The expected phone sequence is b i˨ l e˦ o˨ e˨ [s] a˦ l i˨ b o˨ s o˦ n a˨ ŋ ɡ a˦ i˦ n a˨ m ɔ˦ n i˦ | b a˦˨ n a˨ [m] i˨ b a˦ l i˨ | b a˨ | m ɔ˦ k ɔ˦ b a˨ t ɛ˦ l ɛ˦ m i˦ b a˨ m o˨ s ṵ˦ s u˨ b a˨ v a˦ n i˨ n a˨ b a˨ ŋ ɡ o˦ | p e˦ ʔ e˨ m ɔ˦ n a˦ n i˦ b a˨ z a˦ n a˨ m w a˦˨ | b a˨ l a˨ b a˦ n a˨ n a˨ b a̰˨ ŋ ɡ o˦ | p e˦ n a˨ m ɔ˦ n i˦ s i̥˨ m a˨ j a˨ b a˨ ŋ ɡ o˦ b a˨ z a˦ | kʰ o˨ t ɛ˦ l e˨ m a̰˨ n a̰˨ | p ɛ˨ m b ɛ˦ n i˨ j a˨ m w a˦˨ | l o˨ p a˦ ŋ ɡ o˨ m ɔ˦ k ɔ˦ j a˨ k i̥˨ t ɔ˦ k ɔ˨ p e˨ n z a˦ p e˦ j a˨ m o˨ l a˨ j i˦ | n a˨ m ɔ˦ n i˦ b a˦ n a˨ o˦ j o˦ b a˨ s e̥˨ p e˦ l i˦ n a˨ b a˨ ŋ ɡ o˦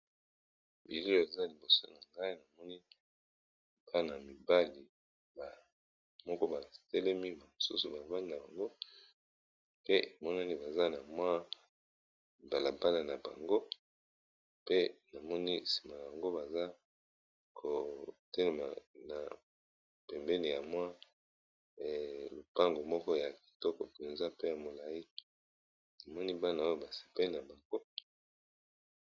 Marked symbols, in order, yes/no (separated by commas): no, yes